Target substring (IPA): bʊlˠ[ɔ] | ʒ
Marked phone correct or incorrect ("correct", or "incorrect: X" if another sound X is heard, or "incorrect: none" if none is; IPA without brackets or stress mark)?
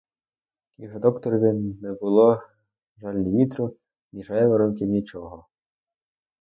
correct